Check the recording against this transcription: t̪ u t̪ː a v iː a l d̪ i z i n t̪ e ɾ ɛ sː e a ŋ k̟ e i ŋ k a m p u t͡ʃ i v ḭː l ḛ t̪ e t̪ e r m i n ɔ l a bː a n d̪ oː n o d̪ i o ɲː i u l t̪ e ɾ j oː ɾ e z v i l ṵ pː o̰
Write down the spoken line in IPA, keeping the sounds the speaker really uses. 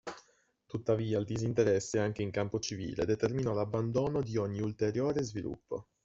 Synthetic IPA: t̪ u t̪ː a v iː a l d̪ i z i n t̪ e ɾ ɛ sː e a ŋ k̟ e i ŋ k a m p o t͡ʃ i v ḭː l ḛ d̪ e t̪ e r m i n ɔ l a bː a n d̪ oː n o d̪ i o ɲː i u l t̪ e ɾ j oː ɾ e z v i l ṵ pː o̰